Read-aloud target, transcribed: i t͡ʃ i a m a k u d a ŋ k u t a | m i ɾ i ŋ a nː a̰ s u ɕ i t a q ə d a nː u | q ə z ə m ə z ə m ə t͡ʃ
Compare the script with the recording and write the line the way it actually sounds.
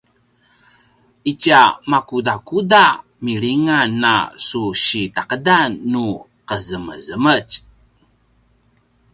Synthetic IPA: i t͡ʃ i a m a k u d a k u d a | m i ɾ i ŋ a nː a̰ s u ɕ i t a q ə d a nː u | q ə z ə m ə z ə m ə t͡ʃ